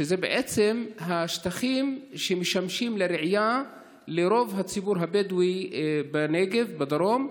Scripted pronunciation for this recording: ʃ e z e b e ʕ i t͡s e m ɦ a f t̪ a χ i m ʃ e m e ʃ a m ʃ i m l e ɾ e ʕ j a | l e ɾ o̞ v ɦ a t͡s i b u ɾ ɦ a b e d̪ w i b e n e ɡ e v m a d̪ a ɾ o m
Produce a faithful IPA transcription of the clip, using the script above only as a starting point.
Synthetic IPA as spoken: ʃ e z e b e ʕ e t͡s e m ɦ a ʃ t̪ a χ i m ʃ e m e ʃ a m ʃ i m l e ɾ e ʕ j a | l e ɾ o̞ v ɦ a t͡s i b u ɾ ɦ a b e d̪ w i b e n e ɡ e v b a d̪ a ɾ o m